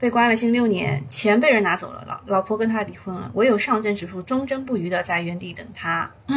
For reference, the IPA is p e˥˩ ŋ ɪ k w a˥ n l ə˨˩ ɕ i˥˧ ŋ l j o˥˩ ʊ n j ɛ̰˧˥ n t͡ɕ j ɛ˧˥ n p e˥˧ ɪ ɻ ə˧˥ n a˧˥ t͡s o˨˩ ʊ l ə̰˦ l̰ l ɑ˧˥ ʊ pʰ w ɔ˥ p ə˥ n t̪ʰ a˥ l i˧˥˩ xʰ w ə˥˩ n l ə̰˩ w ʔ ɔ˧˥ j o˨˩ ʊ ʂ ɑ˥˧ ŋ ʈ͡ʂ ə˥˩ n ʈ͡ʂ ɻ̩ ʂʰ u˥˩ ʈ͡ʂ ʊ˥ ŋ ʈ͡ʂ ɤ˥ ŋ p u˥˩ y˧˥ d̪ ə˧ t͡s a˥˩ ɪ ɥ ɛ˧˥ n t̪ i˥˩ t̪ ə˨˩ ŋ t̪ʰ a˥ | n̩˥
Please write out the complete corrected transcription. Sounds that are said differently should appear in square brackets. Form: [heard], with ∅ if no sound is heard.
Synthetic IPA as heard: p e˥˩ [∅] ɪ k w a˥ n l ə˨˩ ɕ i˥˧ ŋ l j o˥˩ ʊ n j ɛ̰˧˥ n [t͡ɕʰ] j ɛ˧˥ n p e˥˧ ɪ ɻ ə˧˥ n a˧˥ t͡s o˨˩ ʊ l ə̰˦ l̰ l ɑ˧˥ ʊ pʰ w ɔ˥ [k] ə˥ n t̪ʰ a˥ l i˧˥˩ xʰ w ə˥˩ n l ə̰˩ w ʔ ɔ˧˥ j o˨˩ ʊ ʂ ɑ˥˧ ŋ ʈ͡ʂ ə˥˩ n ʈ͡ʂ ɻ̩ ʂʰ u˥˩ ʈ͡ʂ ʊ˥ ŋ ʈ͡ʂ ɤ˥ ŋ p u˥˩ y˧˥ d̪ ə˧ t͡s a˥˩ ɪ ɥ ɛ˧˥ n t̪ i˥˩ t̪ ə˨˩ ŋ t̪ʰ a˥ | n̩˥